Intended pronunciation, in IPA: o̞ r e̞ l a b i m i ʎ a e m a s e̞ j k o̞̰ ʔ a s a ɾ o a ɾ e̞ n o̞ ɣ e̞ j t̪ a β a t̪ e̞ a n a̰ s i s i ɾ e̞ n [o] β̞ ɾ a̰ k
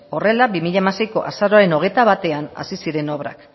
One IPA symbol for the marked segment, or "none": o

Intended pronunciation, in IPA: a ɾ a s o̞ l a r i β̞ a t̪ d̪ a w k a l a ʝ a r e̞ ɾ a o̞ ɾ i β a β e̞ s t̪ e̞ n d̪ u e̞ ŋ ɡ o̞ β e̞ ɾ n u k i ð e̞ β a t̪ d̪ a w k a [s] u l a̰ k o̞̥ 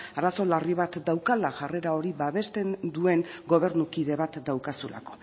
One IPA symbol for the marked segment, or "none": s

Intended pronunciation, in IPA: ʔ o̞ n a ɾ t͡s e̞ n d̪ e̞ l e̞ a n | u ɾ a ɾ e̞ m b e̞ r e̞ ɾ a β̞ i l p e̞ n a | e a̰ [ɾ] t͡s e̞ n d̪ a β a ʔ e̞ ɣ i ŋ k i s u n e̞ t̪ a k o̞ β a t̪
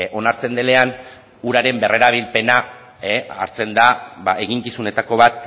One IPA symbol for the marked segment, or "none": ɾ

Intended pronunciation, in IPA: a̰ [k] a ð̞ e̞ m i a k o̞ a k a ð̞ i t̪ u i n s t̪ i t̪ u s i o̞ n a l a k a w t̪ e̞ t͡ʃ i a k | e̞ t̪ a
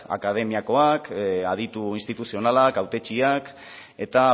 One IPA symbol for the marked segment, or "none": k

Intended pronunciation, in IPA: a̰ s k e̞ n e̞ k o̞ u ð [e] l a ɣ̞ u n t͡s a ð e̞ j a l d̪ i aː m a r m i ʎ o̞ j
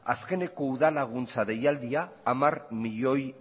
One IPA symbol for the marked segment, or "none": a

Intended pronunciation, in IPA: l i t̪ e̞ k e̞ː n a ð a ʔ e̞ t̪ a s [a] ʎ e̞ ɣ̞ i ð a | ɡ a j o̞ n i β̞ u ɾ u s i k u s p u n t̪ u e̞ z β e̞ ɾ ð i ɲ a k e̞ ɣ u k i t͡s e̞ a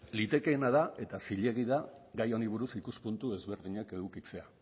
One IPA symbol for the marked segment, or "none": i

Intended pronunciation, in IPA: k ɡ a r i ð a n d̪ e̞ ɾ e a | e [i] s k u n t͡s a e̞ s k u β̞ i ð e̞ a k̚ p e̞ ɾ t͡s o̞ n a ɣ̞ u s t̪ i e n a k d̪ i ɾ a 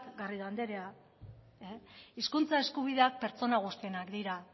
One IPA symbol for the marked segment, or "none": i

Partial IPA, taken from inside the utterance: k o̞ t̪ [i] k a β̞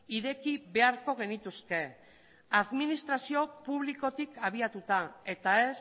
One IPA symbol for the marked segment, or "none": i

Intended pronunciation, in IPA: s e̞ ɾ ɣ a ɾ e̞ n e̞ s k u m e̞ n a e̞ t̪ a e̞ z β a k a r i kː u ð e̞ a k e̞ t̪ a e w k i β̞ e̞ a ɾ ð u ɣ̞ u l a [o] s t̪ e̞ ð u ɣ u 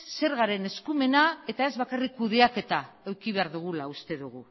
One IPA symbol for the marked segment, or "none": u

